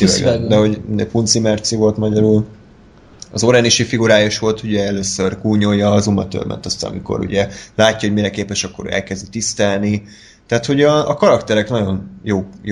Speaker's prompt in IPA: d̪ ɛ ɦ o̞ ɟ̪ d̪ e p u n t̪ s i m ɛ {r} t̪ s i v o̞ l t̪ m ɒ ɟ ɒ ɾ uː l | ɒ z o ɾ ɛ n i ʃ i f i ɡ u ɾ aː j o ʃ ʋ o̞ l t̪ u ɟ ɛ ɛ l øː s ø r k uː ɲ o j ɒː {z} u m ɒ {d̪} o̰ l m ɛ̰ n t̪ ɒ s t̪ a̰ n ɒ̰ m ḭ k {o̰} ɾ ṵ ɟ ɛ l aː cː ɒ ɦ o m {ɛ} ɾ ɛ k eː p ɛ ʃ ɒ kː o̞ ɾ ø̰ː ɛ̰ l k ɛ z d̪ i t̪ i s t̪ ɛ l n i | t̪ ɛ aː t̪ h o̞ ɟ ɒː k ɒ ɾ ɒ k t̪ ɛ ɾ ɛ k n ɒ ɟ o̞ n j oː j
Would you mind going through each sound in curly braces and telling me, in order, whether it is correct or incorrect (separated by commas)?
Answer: correct, correct, incorrect, correct, incorrect